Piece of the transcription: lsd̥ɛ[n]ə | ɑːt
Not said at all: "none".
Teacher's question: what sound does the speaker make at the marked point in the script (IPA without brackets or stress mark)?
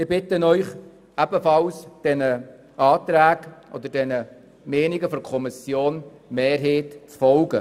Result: n